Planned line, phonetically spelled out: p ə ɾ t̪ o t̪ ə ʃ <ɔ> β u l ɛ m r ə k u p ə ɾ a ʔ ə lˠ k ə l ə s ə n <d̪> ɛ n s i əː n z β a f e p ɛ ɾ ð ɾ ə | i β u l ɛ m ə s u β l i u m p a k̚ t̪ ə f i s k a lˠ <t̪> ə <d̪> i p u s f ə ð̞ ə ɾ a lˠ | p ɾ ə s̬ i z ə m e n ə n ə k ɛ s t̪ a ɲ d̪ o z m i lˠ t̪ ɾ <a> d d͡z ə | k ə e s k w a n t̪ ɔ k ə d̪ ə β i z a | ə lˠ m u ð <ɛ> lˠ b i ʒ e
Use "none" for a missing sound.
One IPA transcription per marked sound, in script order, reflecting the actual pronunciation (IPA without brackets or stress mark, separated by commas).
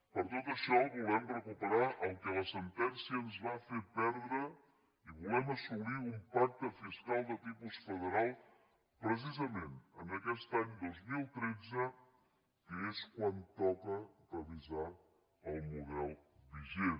ɔ, t̪, d̪, t̪, e, ɛ